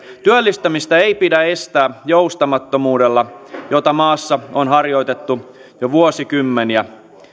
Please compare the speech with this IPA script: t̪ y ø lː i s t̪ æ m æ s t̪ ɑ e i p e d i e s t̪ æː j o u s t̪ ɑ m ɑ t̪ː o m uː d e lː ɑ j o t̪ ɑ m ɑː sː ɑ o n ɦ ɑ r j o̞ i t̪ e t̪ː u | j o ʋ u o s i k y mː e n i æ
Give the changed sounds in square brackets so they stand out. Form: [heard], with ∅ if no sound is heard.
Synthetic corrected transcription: t̪ y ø lː i s t̪ æ m [i] s t̪ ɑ e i p [i] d [æ] e s t̪ æː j o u s t̪ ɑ m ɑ t̪ː o m uː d e lː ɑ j o t̪ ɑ m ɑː sː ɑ o n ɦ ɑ r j o̞ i t̪ e t̪ː u | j o ʋ u o s i k y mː e n i æ